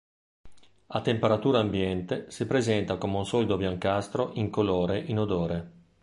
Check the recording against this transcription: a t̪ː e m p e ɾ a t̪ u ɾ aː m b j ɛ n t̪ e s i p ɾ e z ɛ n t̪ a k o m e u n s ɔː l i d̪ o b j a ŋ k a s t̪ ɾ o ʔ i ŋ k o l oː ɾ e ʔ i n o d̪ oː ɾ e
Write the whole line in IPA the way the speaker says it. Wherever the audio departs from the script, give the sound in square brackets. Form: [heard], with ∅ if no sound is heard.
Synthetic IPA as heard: a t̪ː e m p e ɾ a t̪ [uː] ɾ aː m b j ɛ n t̪ e s i p ɾ e z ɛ n t̪ a k o m e u n s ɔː l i d̪ o b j a ŋ k a s t̪ ɾ o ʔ i ŋ k o l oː ɾ e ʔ i n o d̪ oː ɾ e